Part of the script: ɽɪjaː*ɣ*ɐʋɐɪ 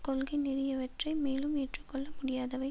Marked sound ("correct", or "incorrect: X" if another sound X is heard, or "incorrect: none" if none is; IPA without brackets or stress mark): incorrect: ð